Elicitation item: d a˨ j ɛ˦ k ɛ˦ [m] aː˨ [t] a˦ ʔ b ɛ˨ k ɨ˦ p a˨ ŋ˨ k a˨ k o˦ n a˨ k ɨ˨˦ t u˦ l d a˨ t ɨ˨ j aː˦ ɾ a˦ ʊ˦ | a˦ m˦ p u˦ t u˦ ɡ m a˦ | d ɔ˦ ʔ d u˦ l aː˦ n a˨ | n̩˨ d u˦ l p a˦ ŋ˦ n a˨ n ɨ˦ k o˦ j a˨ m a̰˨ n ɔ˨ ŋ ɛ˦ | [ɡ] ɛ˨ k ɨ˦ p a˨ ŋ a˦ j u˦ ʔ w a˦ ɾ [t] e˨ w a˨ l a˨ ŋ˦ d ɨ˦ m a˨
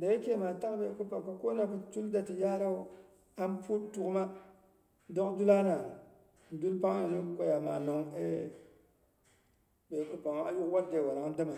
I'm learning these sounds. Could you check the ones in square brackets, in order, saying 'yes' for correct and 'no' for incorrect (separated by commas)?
yes, yes, no, no